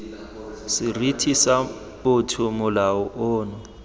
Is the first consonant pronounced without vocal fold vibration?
yes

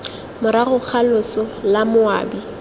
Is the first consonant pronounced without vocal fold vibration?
no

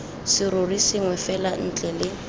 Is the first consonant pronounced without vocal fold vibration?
yes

